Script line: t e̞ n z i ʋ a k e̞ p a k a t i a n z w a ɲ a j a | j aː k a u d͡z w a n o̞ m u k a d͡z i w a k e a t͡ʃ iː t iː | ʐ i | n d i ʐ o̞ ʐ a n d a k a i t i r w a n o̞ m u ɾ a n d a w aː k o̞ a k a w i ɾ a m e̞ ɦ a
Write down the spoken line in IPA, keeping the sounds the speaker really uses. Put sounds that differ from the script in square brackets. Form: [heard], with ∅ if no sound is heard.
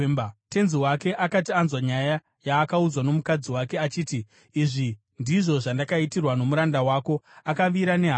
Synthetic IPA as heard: t e̞ n z i [w] a k e̞ [ʔ] a k a t i a n z w a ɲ a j a | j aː k a u d͡z w a n o̞ m u k a d͡z i w a k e a t͡ʃ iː t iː | ʐ i | n d i ʐ o̞ ʐ a n d a k a i t i r w a n o̞ m u ɾ a n d a w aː k o̞ a k a [ʋ] i ɾ a [n] e̞ ɦ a

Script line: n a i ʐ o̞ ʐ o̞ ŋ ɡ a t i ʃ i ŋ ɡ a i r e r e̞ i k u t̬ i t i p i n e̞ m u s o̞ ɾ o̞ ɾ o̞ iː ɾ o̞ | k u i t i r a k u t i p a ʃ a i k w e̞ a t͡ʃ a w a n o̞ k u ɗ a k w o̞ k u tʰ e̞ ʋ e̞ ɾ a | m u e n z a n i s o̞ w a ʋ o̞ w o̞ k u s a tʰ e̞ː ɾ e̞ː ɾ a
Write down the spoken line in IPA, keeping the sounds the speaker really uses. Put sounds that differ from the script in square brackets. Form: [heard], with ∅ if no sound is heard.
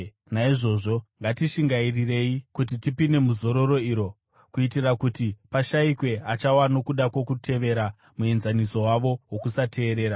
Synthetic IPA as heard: n a i ʐ o̞ ʐ o̞ ŋ ɡ a t i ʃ i ŋ ɡ a i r [i] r e̞ i k u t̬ i t i p i n e̞ m u [z] o̞ ɾ o̞ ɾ o̞ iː ɾ o̞ | k u i t i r a k u t i p a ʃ a i k w e̞ a t͡ʃ a w a n o̞ k u ɗ a k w o̞ k u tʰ e̞ ʋ e̞ ɾ a | m u e n z a n i s o̞ w a ʋ o̞ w o̞ k u s a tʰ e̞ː ɾ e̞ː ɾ a

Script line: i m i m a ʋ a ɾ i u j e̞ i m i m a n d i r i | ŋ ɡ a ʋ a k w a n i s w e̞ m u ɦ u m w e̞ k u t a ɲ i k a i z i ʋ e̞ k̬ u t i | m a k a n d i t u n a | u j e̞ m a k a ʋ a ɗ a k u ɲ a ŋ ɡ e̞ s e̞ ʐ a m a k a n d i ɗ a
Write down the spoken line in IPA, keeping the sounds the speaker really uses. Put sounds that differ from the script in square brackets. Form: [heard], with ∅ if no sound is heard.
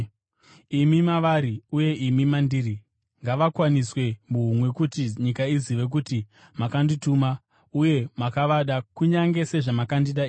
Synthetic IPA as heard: i m i m a ʋ a ɾ i u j e̞ i m i m a n d i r i | ŋ ɡ a ʋ a k w a n i s w e̞ m u ɦ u m w e̞ k u t [i] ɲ i k a i z i ʋ e̞ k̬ u t i | m a k a n d i t u [m] a | u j e̞ m a k a ʋ a ɗ a k u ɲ a ŋ ɡ e̞ s e̞ ʐ a m a k a n d i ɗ a

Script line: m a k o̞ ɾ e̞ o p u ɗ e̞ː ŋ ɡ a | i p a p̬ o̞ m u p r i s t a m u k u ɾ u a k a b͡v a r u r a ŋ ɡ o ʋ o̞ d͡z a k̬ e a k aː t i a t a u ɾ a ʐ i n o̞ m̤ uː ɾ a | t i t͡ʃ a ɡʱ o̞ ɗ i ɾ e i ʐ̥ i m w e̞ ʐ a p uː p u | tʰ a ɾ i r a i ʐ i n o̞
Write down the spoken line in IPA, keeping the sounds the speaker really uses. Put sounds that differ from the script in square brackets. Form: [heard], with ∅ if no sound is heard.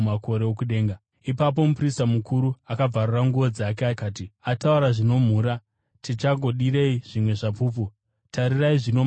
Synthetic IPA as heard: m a k o̞ ɾ e̞ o [k] u ɗ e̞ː ŋ ɡ a | i p a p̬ o̞ m u p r i s t a m u k u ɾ u a k a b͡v a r u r a ŋ ɡ [u] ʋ o̞ d͡z a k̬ e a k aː t i a t a u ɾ a ʐ i n o̞ m̤ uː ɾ a | t i t͡ʃ a ɡʱ o̞ ɗ i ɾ e i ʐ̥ i m w e̞ ʐ a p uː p u | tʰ a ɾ i r a i ʐ i n o̞

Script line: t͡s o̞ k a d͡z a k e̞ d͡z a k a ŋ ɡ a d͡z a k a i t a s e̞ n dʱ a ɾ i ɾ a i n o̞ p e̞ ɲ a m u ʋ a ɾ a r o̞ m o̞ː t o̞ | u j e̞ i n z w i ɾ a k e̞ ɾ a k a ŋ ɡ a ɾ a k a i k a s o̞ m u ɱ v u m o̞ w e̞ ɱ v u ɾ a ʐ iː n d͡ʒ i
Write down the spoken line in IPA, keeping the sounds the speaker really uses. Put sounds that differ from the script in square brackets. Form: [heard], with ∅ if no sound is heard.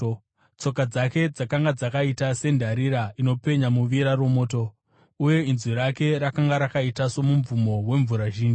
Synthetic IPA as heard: t͡s o̞ k a d͡z a k e̞ d͡z a k a ŋ ɡ a d͡z a k a i t a s e̞ n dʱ a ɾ i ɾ a i n o̞ p e̞ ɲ a m u ʋ [i] ɾ a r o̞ m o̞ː t o̞ | u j e̞ i n z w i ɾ a k e̞ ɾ a k a ŋ ɡ a ɾ a k a i [t] a s o̞ m u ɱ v u m o̞ w e̞ ɱ v u ɾ a [ʒ] iː n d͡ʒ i

